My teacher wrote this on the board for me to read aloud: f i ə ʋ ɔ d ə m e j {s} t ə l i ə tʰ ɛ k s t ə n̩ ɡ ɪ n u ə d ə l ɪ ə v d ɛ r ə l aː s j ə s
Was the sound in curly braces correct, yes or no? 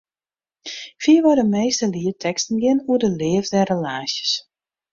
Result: yes